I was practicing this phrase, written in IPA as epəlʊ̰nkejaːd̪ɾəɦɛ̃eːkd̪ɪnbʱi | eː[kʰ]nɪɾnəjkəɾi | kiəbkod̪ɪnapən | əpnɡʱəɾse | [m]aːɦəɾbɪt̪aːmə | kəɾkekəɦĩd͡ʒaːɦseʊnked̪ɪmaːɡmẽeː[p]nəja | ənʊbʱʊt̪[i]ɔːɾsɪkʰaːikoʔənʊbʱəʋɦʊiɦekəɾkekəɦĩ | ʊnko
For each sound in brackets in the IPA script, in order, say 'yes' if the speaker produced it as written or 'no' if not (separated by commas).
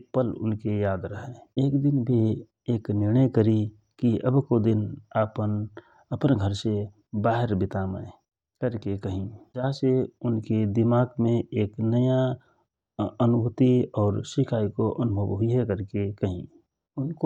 no, no, no, yes